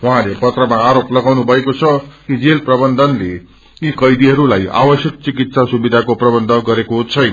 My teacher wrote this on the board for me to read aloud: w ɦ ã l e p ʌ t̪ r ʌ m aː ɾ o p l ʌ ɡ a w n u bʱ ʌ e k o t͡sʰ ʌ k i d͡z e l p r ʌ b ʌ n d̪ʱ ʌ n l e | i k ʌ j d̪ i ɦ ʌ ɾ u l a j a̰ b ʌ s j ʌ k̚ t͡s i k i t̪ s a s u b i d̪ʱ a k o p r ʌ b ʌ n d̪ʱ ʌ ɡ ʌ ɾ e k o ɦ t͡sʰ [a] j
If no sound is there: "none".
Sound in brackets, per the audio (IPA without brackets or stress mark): ʌ